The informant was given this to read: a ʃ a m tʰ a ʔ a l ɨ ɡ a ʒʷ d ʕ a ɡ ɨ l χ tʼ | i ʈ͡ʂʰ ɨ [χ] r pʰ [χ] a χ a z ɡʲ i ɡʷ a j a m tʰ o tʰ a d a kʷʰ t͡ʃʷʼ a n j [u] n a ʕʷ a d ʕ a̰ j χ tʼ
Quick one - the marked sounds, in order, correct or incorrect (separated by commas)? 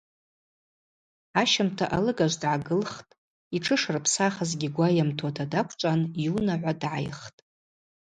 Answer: incorrect, incorrect, correct